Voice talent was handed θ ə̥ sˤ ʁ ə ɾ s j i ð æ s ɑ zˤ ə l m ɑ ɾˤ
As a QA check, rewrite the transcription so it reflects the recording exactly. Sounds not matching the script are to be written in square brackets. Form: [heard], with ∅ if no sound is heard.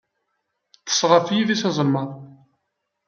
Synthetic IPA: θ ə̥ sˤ ʁ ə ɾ [f] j i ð [i] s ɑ zˤ ə l m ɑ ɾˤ